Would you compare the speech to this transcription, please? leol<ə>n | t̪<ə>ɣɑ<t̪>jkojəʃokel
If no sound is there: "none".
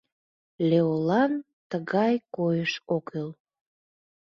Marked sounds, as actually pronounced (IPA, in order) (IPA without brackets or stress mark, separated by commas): ɑ, ə, none